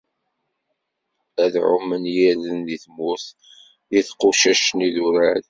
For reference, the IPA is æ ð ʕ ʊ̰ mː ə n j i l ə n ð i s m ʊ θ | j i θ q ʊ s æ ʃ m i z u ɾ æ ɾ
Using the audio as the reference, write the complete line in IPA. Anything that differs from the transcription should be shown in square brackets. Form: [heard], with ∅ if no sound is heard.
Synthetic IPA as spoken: æ ð ʕ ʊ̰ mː ə n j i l ə n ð i [θ] m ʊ θ | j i θ q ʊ [ʃ] æ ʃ [n] i [ð] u ɾ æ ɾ